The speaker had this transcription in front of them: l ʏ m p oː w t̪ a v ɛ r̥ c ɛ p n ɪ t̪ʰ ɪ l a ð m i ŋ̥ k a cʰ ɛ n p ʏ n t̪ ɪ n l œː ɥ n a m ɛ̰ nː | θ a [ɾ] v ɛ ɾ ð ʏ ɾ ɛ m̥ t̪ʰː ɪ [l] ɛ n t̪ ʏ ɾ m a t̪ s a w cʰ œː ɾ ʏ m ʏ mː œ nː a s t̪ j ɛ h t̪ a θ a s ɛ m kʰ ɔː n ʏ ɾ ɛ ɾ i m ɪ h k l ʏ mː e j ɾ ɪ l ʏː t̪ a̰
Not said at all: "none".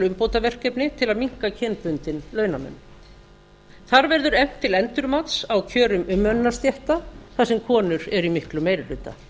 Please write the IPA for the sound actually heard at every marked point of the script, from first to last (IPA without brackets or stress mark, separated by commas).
ɾ, l